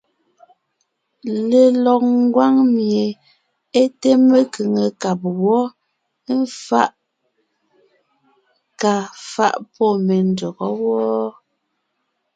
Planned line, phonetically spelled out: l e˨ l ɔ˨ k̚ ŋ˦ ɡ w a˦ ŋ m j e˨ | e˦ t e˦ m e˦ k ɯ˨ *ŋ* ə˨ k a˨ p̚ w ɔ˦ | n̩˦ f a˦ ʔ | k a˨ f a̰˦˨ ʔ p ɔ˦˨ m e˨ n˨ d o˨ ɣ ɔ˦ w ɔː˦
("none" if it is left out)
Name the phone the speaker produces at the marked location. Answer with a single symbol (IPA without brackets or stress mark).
ŋ